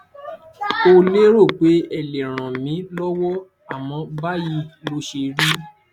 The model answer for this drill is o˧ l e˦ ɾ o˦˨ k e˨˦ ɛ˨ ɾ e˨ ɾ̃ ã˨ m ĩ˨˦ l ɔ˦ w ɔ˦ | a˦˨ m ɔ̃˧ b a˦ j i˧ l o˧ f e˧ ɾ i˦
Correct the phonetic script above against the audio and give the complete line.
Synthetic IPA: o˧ l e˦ ɾ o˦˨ k͡p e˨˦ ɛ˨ l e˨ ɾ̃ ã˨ m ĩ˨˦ l ɔ˦ w ɔ˦ | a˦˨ m ɔ̃˧ b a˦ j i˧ l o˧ ʃ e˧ ɾ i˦